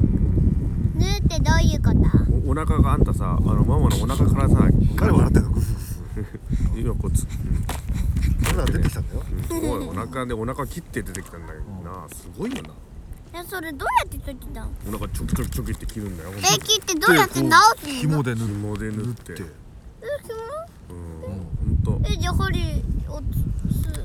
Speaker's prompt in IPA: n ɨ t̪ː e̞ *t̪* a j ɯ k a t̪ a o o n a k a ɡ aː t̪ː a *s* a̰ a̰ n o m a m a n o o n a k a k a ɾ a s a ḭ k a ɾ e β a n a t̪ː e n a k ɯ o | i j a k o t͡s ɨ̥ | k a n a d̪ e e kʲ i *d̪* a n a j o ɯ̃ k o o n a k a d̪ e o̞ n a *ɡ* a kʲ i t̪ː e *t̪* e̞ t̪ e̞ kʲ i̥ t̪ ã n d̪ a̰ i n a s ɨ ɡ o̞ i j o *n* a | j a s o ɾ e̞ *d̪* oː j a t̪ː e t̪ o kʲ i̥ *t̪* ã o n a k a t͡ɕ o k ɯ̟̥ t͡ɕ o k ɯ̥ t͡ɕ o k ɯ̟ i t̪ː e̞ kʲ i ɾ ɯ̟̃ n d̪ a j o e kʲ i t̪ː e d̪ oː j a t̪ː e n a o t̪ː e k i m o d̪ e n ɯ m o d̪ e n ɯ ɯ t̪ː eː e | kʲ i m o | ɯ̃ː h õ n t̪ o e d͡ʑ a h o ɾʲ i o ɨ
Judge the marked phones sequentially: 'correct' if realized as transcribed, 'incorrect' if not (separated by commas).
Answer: incorrect, correct, incorrect, incorrect, incorrect, correct, correct, correct